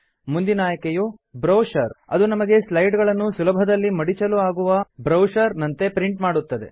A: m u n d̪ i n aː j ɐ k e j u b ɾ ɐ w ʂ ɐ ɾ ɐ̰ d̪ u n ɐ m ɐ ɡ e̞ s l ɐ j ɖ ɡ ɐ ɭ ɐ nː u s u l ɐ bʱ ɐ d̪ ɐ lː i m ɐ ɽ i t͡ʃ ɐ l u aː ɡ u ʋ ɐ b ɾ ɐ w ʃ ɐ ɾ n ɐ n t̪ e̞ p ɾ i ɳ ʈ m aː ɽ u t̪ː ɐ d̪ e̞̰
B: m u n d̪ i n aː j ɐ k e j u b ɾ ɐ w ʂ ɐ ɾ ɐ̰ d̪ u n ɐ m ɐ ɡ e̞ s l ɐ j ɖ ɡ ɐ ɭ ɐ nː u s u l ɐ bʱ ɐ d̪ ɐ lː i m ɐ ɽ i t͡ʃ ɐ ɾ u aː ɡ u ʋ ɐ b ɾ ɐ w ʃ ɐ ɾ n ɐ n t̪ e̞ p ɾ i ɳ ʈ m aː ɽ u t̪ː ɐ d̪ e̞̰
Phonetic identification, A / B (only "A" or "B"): A